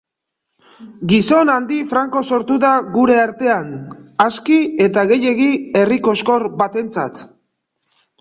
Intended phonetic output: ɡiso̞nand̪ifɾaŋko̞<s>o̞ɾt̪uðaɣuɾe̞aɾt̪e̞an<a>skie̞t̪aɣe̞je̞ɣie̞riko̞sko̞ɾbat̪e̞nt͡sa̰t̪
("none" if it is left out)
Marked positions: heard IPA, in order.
s, a

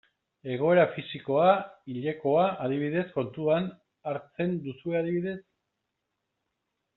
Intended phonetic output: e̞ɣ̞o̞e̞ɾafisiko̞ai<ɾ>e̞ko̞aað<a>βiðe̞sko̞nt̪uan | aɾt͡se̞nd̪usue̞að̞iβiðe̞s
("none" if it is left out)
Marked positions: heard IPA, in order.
ʎ, i

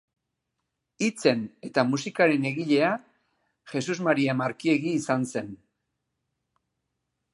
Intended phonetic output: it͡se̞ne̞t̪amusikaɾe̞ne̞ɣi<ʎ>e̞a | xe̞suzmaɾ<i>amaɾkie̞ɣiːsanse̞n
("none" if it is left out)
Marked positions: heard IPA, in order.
ʎ, i

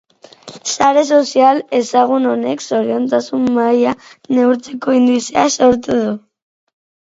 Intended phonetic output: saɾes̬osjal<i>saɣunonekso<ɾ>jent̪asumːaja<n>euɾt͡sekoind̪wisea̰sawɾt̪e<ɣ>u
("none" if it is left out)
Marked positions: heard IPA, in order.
e, ɾ, n, ð

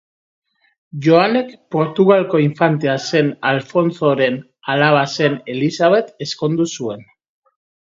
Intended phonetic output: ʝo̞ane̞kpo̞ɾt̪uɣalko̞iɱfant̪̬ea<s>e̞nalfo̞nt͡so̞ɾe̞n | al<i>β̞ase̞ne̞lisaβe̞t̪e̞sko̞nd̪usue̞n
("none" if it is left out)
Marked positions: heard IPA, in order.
s, a

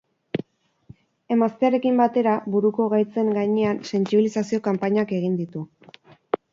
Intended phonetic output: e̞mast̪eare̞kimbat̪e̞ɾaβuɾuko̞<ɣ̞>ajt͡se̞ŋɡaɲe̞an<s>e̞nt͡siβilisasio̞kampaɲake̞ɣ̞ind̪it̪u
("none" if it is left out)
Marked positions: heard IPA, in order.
ɣ̞, s

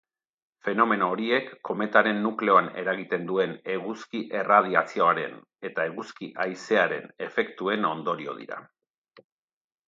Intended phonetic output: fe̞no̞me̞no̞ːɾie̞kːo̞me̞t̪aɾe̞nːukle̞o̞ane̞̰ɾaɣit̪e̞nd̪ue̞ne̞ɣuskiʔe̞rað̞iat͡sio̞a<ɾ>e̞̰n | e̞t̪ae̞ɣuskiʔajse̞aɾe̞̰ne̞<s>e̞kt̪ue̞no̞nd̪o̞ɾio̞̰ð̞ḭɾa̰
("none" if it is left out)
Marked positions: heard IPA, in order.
ɾ, f

